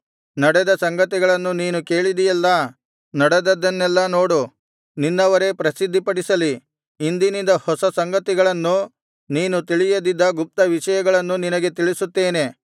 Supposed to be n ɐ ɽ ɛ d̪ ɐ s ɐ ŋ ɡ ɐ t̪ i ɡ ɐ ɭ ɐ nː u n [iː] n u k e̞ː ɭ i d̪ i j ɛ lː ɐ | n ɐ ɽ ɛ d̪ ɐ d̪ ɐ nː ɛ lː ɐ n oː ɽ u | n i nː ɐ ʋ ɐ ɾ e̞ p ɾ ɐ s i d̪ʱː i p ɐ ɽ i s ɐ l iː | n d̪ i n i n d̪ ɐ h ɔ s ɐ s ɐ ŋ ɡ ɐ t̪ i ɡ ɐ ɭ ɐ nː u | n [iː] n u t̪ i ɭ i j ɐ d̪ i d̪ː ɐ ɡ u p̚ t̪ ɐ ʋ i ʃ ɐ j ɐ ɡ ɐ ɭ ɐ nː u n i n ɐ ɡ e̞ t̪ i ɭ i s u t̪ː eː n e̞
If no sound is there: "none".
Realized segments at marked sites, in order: iː, iː

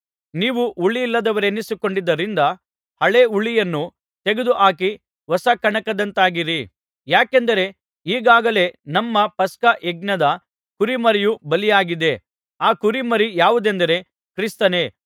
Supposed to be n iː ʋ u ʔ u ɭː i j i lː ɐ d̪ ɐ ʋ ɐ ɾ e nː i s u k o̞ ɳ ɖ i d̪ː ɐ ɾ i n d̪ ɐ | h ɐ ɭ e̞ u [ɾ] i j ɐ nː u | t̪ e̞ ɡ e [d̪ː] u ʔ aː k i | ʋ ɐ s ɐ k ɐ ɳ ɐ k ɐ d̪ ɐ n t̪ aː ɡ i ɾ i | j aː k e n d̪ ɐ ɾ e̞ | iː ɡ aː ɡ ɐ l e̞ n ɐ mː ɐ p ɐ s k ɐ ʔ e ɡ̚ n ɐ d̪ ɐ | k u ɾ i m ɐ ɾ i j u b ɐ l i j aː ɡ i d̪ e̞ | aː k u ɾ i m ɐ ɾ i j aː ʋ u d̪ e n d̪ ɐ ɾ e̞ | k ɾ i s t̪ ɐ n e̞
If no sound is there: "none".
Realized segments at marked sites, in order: ɭ, d̪

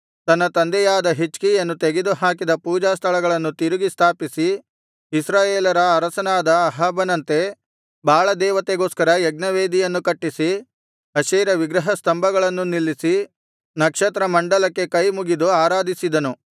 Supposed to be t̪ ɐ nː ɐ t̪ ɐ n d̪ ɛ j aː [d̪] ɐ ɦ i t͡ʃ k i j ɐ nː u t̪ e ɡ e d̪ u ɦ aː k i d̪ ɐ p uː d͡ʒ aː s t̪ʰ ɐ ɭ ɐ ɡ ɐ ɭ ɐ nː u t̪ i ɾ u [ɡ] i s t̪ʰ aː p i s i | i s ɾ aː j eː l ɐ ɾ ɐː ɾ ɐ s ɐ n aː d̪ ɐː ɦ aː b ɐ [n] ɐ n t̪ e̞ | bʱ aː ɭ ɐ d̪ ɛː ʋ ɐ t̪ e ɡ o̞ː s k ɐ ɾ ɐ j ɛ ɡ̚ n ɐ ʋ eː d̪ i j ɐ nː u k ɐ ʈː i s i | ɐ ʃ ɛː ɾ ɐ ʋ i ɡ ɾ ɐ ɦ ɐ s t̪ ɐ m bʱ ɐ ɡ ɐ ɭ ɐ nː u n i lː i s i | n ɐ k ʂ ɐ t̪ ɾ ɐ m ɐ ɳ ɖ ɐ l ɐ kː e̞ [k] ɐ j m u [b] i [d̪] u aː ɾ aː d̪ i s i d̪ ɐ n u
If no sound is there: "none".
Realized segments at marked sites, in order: d̪, ɡ, n, k, ɡ, d̪

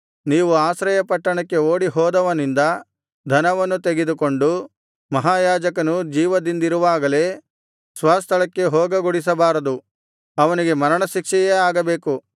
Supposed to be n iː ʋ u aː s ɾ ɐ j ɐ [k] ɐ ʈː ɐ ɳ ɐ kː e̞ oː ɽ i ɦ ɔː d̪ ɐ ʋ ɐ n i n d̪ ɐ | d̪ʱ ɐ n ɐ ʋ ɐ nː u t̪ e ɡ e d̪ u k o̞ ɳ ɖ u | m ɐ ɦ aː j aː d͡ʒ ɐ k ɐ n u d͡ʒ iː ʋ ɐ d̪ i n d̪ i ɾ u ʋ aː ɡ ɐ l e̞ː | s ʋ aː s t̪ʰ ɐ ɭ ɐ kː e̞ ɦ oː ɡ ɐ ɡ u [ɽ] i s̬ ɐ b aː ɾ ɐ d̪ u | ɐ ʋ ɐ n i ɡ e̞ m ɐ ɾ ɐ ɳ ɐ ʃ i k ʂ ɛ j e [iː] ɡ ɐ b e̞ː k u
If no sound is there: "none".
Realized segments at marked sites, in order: p, ɽ, aː

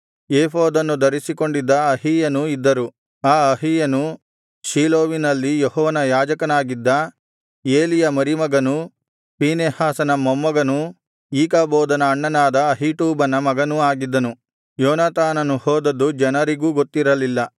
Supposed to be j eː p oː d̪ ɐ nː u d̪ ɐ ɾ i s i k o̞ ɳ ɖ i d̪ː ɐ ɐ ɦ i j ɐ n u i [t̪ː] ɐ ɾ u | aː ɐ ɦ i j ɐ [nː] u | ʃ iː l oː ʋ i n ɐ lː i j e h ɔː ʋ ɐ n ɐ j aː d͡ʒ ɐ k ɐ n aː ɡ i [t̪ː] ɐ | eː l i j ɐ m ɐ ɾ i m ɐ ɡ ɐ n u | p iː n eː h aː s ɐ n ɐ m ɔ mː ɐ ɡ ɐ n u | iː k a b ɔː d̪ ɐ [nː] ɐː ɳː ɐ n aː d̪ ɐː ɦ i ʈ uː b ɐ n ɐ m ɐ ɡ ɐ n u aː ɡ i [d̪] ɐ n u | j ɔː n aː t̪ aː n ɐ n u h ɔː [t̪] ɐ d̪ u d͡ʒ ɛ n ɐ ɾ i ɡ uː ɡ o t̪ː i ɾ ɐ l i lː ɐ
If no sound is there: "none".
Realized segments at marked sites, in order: d̪ː, n, d̪ː, n, d̪ː, d̪

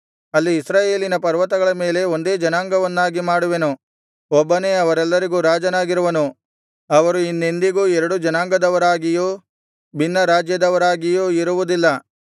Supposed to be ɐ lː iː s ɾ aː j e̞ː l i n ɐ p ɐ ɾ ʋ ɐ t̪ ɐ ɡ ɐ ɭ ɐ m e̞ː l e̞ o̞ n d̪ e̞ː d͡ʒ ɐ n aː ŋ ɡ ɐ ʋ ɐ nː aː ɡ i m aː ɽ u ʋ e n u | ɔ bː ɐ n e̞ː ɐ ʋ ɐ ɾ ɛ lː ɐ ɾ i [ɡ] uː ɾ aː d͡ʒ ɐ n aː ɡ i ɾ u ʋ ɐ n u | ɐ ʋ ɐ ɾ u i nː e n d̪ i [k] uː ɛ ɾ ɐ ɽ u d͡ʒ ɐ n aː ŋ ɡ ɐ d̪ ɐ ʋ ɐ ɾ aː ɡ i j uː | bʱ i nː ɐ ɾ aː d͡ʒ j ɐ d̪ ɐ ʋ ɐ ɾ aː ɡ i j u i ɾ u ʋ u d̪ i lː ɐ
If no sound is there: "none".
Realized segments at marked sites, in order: ɡ, ɡ

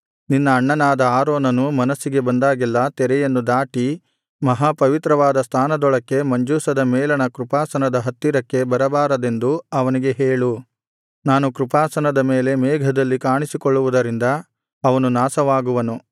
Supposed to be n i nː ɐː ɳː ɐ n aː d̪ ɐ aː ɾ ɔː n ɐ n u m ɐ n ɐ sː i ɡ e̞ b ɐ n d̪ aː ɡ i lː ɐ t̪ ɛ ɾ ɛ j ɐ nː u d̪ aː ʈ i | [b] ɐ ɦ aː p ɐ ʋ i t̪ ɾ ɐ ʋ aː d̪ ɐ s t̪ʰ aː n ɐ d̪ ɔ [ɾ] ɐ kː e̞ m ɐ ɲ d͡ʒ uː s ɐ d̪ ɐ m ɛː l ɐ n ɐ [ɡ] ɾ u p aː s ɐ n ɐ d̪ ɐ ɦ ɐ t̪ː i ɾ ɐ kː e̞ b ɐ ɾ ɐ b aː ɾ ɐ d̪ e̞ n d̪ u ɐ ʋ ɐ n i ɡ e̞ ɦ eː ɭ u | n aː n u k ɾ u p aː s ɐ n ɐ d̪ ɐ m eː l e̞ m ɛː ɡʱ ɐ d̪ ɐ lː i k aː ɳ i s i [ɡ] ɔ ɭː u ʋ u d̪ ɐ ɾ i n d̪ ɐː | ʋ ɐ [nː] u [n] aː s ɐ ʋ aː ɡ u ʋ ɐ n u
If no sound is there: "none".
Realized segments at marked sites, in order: m, ɭ, k, k, n, n

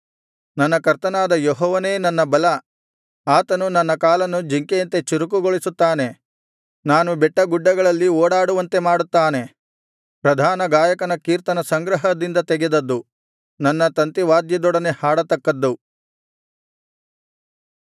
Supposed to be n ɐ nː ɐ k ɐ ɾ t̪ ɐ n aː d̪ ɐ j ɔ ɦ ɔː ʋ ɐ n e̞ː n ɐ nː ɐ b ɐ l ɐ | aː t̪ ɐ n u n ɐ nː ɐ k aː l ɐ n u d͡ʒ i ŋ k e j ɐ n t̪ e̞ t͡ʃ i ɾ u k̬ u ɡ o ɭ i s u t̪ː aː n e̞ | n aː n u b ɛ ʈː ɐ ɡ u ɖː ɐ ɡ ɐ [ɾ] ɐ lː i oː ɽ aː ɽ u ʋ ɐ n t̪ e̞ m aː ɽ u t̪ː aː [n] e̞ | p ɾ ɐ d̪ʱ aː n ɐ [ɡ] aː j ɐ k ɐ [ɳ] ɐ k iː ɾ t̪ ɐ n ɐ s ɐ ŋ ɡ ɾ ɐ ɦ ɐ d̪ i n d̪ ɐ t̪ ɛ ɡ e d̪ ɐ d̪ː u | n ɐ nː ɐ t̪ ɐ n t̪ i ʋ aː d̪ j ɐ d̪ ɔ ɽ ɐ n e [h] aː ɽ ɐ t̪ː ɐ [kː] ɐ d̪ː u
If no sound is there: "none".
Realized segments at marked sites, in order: ɭ, n, ɡ, n, h, kː

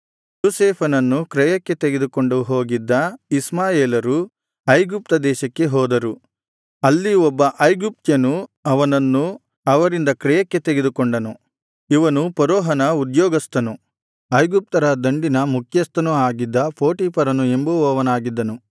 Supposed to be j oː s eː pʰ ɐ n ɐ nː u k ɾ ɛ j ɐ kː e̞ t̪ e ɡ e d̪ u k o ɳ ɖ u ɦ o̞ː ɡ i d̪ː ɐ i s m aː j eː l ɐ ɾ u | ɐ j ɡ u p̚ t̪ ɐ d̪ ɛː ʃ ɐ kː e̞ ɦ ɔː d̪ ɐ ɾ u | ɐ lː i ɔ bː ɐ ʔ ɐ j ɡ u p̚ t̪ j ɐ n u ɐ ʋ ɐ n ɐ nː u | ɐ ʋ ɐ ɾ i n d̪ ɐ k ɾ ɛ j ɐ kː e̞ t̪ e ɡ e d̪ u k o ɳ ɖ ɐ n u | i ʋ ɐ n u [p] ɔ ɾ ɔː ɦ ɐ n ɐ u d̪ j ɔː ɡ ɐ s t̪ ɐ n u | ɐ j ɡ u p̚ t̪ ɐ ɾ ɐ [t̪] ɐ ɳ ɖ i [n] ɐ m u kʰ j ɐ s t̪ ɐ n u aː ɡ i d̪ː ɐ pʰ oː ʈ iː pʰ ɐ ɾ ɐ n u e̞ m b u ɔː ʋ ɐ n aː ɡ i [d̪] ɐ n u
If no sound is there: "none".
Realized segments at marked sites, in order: p, d̪, n, d̪ː

